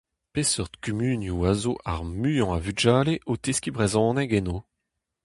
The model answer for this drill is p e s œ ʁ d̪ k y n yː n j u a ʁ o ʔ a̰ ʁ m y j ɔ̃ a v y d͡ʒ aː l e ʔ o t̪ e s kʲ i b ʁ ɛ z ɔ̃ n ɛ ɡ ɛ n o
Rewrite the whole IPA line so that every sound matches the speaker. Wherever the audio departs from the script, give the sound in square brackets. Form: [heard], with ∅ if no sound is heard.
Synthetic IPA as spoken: p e s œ ʁ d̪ k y [m] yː n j u a [z] o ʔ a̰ ʁ m y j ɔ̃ a v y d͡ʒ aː l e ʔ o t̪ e s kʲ i b ʁ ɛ z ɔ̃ n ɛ ɡ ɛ n o